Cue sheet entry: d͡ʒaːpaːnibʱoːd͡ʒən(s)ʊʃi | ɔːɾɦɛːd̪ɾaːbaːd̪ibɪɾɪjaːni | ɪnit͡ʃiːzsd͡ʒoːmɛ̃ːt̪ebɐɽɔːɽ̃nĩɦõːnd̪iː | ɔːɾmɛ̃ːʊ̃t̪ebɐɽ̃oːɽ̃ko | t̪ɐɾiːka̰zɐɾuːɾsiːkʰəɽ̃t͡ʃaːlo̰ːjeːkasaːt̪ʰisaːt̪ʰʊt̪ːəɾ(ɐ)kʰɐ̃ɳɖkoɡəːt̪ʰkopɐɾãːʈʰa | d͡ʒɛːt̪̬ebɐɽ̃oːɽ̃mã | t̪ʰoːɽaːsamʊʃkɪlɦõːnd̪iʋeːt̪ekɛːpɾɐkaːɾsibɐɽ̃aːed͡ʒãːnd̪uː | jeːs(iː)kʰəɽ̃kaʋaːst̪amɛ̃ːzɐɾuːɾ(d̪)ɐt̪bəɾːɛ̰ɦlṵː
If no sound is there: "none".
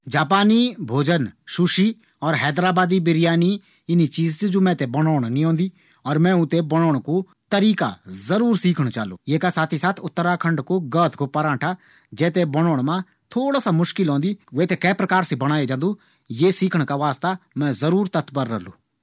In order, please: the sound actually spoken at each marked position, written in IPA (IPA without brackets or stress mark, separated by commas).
ʃ, a, iː, t̪